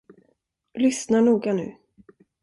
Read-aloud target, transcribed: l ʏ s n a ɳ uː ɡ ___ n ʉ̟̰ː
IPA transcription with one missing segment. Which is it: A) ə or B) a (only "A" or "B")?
B